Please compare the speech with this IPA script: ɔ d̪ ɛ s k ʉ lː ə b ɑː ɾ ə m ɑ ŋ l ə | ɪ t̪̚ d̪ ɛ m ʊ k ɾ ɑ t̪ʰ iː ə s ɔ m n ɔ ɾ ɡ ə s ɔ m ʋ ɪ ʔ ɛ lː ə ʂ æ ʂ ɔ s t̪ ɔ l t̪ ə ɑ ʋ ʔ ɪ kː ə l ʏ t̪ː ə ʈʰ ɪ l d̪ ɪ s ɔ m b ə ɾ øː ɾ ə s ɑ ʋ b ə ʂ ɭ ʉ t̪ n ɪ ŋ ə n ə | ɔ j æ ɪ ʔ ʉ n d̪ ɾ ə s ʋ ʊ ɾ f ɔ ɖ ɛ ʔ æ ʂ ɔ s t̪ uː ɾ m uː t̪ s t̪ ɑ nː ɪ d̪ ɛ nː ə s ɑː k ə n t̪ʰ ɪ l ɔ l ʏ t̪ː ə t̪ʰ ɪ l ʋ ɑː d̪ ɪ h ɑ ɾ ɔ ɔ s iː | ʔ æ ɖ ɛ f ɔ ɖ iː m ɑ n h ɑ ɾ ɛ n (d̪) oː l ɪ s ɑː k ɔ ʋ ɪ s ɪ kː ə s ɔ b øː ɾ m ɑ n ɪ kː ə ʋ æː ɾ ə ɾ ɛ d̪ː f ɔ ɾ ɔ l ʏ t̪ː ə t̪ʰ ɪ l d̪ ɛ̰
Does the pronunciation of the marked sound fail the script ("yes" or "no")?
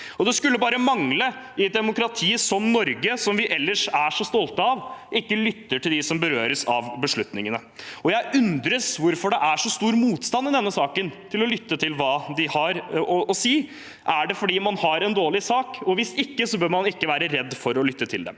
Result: no